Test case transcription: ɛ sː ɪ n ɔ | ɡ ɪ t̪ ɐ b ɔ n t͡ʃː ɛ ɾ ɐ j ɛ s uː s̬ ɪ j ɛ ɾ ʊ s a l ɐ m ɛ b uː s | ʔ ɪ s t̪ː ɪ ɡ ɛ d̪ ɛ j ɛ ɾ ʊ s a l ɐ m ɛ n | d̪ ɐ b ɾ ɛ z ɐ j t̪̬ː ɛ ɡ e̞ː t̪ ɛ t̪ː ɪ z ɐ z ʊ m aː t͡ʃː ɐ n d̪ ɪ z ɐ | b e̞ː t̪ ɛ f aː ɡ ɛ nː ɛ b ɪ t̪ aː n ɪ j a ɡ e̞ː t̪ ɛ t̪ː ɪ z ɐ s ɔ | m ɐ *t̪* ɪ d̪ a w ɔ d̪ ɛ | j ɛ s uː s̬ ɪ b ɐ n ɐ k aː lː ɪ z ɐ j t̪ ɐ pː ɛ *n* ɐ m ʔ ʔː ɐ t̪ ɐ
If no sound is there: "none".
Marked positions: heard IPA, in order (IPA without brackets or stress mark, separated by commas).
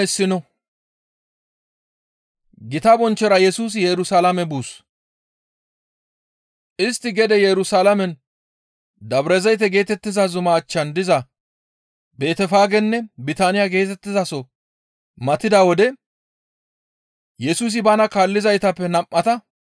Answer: t̪, n